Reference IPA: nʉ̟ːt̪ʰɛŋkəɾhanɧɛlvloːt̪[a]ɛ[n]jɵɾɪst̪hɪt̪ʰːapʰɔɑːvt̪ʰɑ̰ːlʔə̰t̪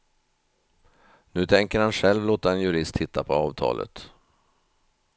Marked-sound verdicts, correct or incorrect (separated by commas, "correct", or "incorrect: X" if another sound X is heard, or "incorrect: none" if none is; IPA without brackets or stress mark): correct, correct